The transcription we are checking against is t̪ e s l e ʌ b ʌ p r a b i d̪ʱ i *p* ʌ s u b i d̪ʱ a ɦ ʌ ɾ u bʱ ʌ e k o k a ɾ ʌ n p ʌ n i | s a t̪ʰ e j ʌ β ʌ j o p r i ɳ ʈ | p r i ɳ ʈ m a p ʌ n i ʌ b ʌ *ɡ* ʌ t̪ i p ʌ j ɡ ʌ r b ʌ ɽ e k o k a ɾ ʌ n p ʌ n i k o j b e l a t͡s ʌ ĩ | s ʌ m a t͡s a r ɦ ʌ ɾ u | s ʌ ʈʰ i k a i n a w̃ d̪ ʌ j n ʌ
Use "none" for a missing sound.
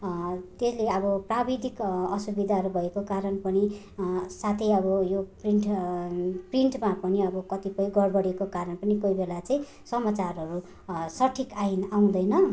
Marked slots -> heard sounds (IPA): k, k

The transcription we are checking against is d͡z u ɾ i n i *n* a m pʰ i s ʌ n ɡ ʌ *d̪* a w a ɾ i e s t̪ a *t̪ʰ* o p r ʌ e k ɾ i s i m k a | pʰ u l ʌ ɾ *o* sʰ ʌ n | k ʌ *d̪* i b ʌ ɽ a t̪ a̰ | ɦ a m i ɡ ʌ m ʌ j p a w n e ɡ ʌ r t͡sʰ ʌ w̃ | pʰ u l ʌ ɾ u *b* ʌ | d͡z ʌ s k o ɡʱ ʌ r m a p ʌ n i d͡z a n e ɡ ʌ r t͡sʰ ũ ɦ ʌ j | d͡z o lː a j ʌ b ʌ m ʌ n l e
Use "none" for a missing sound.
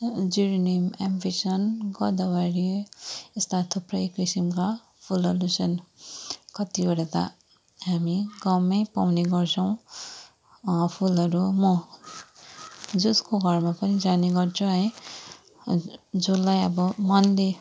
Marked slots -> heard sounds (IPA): m, d̪, t̪ʰ, u, t̪, m

